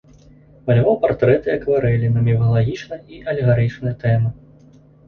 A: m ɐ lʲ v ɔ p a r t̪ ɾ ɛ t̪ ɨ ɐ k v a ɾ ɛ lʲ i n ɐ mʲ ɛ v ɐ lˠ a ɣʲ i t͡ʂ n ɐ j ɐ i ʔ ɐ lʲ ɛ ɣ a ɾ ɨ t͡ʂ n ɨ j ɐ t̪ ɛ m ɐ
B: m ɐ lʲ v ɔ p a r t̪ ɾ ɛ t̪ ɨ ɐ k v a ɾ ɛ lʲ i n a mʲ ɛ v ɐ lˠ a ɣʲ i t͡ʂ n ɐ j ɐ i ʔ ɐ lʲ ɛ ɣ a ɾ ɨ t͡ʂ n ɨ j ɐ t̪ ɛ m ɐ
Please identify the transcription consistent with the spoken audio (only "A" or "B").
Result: A